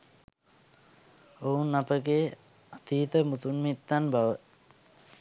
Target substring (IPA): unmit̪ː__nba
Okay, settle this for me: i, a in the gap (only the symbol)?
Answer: a